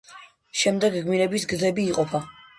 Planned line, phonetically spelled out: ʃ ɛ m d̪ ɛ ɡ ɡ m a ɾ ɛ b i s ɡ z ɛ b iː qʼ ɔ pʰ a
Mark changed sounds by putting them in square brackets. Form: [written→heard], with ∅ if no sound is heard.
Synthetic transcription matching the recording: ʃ ɛ m d̪ ɛ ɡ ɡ m [a→i] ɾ ɛ b i s ɡ z ɛ b iː qʼ ɔ pʰ a